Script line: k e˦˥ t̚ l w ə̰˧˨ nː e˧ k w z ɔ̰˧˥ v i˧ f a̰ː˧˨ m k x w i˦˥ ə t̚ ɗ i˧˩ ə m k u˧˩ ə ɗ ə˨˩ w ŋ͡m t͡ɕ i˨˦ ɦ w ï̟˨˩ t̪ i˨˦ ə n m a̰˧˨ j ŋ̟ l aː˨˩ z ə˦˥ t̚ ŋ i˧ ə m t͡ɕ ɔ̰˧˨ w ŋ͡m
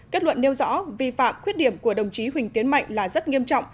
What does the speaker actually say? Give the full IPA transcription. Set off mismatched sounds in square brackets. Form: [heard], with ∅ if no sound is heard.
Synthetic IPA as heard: k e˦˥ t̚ l w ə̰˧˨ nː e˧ [∅] w z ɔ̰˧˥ v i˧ f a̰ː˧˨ m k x w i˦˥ ə t̚ ɗ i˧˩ ə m k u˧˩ ə ɗ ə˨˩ w ŋ͡m t͡ɕ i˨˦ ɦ w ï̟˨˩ t̪ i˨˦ ə n m a̰˧˨ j ŋ̟ l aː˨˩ z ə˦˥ t̚ ŋ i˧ ə m t͡ɕ ɔ̰˧˨ w ŋ͡m